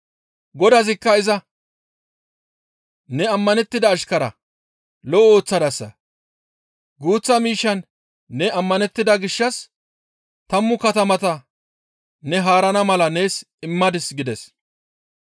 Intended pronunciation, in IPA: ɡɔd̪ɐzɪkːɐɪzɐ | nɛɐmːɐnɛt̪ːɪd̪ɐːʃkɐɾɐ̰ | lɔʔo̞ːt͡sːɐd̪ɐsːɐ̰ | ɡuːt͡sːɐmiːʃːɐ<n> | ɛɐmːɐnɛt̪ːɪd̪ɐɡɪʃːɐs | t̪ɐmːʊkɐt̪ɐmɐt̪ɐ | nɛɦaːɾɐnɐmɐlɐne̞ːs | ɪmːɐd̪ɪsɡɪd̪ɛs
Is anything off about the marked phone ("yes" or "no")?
yes